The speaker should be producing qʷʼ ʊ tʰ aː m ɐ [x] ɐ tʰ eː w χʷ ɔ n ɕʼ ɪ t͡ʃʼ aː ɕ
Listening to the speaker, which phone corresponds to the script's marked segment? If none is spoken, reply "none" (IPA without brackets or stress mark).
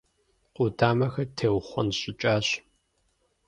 x